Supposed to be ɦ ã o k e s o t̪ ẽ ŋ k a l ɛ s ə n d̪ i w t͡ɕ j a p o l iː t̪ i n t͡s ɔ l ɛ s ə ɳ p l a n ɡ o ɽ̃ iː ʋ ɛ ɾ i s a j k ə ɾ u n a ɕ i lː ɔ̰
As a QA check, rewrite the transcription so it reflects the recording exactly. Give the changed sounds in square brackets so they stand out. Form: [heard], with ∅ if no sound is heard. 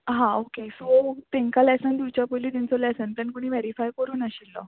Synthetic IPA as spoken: ɦ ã o k e s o t̪ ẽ ŋ k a l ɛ s ə n d̪ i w t͡ɕ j a p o l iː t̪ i n t͡s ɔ l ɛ s ə [n] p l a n [k] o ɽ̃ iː ʋ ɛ ɾ i [f] a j k ə ɾ [uː] n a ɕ i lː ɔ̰